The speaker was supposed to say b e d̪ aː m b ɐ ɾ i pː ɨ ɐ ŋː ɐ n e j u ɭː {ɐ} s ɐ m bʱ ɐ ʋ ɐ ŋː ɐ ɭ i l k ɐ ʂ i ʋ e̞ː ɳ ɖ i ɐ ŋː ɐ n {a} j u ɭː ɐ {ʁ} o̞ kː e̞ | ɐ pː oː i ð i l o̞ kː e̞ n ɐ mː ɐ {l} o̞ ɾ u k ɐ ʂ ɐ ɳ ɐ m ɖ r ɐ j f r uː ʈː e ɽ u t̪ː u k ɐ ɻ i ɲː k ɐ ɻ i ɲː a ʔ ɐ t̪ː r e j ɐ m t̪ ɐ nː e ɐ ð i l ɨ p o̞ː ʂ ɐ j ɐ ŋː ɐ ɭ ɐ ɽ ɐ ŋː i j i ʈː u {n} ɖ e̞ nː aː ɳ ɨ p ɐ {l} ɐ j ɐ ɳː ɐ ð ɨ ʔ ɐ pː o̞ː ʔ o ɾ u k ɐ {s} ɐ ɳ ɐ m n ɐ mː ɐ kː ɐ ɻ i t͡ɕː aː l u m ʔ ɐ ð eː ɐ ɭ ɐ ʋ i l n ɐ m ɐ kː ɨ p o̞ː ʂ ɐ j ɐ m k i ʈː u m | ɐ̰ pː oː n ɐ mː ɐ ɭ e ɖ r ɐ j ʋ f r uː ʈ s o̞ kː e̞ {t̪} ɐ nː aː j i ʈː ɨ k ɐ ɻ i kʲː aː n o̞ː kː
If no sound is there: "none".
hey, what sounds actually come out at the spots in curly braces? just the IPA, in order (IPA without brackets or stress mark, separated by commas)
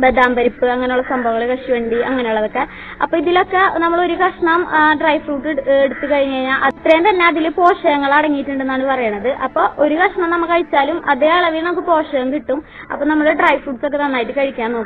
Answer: ɐ, e, ð, ɭ, ɳ, r, ʂ, t̪